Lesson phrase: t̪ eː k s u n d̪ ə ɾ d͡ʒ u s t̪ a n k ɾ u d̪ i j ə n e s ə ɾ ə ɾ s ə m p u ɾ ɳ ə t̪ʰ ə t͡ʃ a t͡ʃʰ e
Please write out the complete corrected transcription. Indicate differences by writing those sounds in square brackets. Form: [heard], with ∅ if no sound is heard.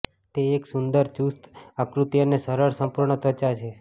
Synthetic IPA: t̪ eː k s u n d̪ ə ɾ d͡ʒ u s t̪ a [∅] k ɾ u [t̪] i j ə n e s ə ɾ ə ɾ s ə m p u ɾ ɳ ə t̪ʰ ə t͡ʃ a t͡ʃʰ e